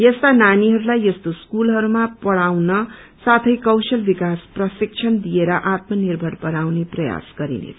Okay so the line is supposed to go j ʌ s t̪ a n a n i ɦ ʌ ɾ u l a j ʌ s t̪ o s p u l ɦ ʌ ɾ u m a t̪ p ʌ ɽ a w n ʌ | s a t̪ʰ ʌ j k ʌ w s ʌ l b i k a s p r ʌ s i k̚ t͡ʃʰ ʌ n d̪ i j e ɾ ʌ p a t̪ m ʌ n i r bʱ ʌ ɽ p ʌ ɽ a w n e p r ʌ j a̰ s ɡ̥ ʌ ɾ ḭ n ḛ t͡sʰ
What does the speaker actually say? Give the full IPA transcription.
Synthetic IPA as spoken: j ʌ s t̪ a n a n i ɦ ʌ ɾ u l a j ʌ s t̪ o s k u l ɦ ʌ ɾ u m a p ʌ ɽ a w n ʌ | s a t̪ʰ ʌ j k ʌ w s ʌ l b i k a s p r ʌ s i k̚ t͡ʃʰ ʌ n d̪ i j e ɾ ʌ ʔ a t̪ m ʌ n i r bʱ ʌ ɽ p ʌ ɽ a w n e p r ʌ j a̰ s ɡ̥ ʌ ɾ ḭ n ḛ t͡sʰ